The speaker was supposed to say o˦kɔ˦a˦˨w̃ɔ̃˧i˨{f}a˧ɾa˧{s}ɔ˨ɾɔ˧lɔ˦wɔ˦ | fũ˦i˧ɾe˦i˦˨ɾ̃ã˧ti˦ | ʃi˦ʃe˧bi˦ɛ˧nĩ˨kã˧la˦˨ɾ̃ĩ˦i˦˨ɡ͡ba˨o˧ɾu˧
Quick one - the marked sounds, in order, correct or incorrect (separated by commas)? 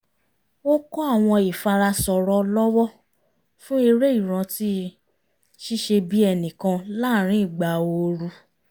correct, correct